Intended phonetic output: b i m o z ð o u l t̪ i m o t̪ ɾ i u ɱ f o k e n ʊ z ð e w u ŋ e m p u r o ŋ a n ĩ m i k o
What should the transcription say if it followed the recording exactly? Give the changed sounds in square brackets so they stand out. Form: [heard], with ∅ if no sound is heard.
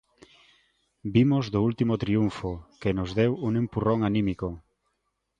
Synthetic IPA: b i m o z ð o u l t̪ i m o t̪ ɾ i u ɱ f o k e n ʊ z ð e w u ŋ e m p u r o ŋ a n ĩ m i k o